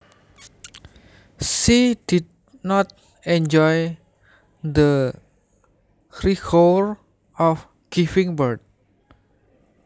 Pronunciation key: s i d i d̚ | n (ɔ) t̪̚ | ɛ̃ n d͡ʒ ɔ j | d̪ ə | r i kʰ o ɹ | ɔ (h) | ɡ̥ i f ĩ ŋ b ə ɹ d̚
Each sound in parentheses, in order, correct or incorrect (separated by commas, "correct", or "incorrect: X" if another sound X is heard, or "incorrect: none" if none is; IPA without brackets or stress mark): correct, incorrect: f